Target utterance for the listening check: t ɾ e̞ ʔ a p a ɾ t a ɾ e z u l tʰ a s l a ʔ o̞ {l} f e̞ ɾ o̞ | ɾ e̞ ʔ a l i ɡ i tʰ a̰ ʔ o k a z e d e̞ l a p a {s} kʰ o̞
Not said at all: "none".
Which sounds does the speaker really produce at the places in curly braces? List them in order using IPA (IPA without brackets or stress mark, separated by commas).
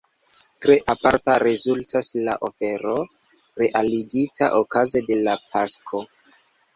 none, s